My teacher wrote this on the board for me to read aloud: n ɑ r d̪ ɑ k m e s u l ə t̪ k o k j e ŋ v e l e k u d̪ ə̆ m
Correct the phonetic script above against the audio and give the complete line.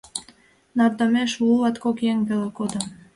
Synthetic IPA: n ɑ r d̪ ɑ m e ʃ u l ɑ t̪ k o k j e ŋ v e l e k o d̪ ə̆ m